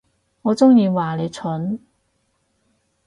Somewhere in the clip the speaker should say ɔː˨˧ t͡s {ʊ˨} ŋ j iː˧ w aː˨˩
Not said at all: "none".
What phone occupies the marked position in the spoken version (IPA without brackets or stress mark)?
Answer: ʊ˥